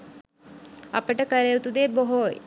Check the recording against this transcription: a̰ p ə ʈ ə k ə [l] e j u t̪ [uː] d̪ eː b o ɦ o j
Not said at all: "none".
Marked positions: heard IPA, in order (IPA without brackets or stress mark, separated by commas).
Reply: ɾ, u